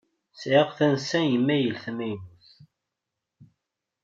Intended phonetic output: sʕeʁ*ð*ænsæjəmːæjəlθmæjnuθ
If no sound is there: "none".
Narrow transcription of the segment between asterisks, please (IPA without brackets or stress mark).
θ